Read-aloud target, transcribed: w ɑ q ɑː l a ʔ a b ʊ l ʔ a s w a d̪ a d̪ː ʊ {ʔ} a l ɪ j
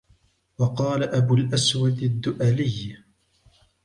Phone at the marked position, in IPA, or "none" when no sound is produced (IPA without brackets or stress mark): ʔ